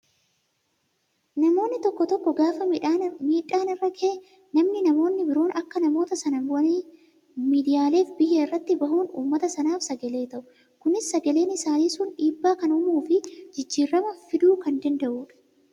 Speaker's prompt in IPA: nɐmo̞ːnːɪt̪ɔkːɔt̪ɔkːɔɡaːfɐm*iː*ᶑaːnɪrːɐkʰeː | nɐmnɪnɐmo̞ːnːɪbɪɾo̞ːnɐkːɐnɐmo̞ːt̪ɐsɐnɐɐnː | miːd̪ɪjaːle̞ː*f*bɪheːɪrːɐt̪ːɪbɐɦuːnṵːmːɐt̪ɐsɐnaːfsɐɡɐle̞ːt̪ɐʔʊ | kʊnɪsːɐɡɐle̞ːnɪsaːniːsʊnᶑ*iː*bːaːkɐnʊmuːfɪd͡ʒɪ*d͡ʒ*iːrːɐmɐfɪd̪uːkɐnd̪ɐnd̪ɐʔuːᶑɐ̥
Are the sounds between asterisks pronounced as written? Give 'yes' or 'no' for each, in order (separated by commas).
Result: yes, yes, yes, no